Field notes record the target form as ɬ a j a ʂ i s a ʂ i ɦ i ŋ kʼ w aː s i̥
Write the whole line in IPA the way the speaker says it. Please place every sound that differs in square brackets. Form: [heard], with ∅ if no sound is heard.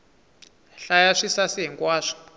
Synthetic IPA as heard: ɬ a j a ʂ i s a [s] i ɦ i ŋ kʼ w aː [ʂ] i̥